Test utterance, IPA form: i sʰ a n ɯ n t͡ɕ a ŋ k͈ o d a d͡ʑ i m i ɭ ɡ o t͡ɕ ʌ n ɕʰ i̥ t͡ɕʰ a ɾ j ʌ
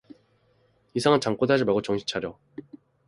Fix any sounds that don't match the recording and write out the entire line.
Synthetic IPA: i sʰ a ŋ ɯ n t͡ɕ a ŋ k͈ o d a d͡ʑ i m a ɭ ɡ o t͡ɕ ʌ ŋ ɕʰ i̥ t͡ɕʰ a ɾ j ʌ

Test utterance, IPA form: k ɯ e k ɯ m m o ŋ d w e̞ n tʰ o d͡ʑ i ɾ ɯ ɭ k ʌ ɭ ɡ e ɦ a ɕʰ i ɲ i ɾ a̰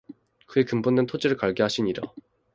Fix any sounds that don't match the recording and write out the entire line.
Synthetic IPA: k ɯ e k ɯ m b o n d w e̞ n tʰ o d͡ʑ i ɾ ɯ ɭ k a ɭ ɡ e ɦ a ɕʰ i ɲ i ɾ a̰

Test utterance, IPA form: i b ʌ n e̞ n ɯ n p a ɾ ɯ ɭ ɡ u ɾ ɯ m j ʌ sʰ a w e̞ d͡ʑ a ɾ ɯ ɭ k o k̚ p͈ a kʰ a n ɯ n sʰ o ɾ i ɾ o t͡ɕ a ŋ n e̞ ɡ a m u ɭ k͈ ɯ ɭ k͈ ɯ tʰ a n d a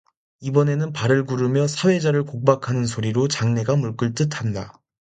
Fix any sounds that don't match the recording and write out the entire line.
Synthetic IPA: i b ʌ n e̞ n ɯ n p a ɾ ɯ ɭ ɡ u ɾ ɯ m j ʌ sʰ a w e̞ d͡ʑ a ɾ ɯ ɭ k o k̚ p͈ a kʰ a n ɯ n sʰ o ɾ i ɾ o t͡ɕ a ŋ n e̞ ɡ a m u ɭ k͈ ɯ ɭ t͈ ɯ tʰ a n d a

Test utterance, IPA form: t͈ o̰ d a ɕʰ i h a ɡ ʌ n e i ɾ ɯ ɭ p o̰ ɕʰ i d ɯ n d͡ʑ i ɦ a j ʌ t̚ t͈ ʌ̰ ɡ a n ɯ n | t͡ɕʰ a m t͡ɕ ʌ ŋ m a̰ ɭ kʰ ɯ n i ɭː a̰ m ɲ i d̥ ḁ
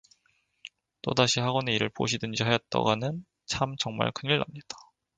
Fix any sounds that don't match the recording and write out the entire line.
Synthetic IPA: t͈ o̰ d a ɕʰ i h a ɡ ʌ n e i ɾ ɯ ɭ p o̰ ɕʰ i d ɯ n d͡ʑ i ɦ a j ʌ t̚ t͈ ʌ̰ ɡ a n ɯ n | t͡ɕʰ a m t͡ɕ ʌ ŋ m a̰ ɭ kʰ ɯ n i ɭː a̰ m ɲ i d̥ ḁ

